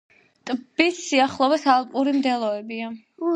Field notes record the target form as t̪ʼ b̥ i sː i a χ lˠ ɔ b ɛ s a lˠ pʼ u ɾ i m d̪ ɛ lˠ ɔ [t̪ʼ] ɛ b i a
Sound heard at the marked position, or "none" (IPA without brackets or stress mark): none